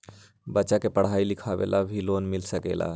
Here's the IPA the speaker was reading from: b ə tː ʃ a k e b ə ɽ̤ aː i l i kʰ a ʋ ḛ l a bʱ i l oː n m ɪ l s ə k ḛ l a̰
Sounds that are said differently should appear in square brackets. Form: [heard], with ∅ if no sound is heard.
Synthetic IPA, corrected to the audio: b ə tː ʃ a k e [p] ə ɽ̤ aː i l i kʰ a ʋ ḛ l a bʱ i l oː n m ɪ l s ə k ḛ l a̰